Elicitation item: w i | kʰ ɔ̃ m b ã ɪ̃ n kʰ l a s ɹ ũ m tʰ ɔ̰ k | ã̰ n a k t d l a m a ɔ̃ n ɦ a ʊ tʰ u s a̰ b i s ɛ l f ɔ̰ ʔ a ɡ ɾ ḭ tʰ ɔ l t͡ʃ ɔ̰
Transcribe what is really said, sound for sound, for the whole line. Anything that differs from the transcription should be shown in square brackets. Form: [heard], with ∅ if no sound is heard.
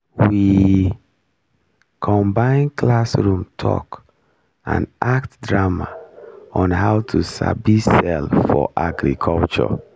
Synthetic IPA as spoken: w i | kʰ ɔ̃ m b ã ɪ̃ n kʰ l a s ɹ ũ m tʰ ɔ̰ k | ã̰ n a k t d [ɹ] a m a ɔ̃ n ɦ a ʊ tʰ u s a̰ b i s ɛ l f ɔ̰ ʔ a ɡ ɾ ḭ [kʰ] ɔ l t͡ʃ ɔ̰

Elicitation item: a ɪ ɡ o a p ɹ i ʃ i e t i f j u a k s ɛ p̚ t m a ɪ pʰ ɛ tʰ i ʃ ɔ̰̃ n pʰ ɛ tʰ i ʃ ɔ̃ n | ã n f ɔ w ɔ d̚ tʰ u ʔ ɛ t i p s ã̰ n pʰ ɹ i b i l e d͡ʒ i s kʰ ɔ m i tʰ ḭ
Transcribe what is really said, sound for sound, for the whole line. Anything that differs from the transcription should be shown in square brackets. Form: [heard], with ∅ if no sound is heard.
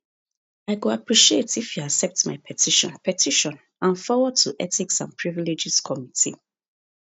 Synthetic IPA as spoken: a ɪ ɡ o a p ɹ i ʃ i e t i f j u a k s ɛ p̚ t m a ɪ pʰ ɛ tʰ i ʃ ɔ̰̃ n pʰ ɛ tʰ i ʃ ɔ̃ n | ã n f ɔ w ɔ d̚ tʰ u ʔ ɛ t i [k] s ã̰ n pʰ ɹ i [v] i l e d͡ʒ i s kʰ ɔ m i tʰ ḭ

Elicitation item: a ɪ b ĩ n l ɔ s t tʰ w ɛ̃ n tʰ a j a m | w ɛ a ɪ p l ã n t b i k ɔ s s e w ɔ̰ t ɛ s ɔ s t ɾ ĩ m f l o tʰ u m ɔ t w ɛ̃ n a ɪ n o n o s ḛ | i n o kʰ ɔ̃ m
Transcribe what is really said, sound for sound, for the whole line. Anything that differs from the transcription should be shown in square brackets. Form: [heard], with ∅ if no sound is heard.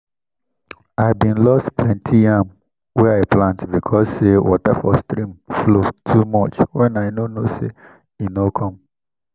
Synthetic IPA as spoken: a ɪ b ĩ n l ɔ s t tʰ w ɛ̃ n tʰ [i] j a m | w ɛ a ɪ p l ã n t b i [kʰ] ɔ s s e w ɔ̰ t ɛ [f] ɔ s t ɾ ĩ m f l o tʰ u m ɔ [t͡ʃ] w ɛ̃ n a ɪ n o n o s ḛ | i n o kʰ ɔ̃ m

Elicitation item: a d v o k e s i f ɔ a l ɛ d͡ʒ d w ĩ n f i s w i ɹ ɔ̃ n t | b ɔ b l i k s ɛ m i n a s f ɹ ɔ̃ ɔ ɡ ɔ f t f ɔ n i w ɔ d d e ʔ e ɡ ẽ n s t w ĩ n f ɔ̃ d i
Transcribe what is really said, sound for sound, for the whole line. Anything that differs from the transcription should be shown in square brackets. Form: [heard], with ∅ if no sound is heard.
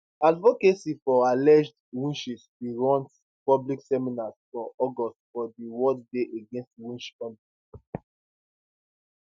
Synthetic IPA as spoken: a d v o k e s i f ɔ a l ɛ d͡ʒ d w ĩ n [ʃ] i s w i ɹ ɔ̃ n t | [p] ɔ b l i k s ɛ m i n a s f ɹ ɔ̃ ɔ ɡ ɔ [s] t f ɔ [d] i w ɔ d d e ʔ e ɡ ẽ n s t w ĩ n [ʃ] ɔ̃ [n] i

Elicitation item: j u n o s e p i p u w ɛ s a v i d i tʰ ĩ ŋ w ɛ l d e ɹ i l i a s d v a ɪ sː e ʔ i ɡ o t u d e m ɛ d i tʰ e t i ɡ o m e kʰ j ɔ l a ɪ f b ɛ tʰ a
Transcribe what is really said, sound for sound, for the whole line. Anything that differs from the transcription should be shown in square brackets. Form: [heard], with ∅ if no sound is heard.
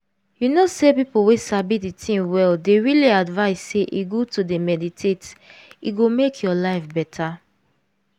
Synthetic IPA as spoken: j u n o s e p i p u w [e] s a [b] i d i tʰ ĩ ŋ w ɛ l d e ɹ i l i a [∅] d v a ɪ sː e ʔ i ɡ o t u d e m ɛ d i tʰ e t i ɡ o m e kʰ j ɔ l a ɪ f b ɛ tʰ a

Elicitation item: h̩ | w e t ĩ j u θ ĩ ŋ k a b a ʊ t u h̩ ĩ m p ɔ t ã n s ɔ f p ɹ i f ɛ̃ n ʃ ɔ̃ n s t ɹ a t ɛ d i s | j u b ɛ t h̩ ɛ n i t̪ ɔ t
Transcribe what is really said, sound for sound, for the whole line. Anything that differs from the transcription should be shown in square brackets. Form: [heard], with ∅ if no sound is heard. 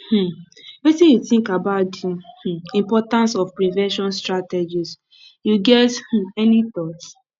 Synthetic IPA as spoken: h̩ | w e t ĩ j u θ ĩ ŋ k a b a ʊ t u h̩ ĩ m p ɔ t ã n s ɔ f p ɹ i [v] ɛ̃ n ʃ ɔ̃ n s t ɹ a t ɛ [d͡ʒ] i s | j u [ɡ] ɛ t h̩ ɛ n i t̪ ɔ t

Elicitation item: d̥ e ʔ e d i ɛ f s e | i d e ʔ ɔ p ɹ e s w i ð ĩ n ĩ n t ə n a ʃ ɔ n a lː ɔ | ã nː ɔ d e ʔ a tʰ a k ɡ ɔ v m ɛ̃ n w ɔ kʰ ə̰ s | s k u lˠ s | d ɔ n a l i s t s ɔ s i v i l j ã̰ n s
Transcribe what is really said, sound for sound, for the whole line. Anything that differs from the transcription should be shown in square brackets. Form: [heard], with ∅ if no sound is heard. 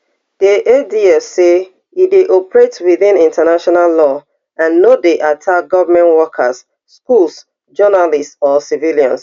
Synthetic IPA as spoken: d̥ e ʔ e d i ɛ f s e | i d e ʔ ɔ p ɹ e [t] w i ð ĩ n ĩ n t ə n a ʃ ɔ n a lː ɔ | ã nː [o] d e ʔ a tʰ a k ɡ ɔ v m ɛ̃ n w ɔ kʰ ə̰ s | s k u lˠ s | [d͡ʒ] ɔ n a l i s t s ɔ s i v i l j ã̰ n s

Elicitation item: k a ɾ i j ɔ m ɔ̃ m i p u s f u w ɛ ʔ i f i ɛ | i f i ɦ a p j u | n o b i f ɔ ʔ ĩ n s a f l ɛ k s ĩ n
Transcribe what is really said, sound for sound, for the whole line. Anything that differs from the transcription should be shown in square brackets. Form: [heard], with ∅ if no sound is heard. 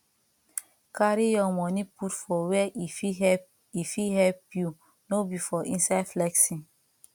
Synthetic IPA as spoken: k a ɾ i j ɔ m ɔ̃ [n] i p u [t] f [ɔ] w ɛ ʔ i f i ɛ | i f i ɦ [ɛ] p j u | n o b i f ɔ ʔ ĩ n s a f l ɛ k s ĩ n

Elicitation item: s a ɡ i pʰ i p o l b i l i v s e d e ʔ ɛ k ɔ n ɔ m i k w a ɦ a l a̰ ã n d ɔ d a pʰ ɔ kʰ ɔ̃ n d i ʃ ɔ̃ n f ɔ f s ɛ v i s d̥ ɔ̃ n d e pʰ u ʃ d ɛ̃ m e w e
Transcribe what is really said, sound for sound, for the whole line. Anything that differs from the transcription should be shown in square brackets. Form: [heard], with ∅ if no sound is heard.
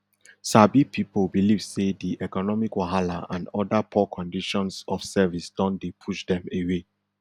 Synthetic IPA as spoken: s a [b] i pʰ i p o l b i l i v s e d [i] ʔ ɛ k ɔ n ɔ m i k w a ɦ a l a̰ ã n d ɔ d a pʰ ɔ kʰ ɔ̃ n d i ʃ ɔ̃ n [s] ɔ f s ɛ v i s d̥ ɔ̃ n d e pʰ u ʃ d ɛ̃ m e w e

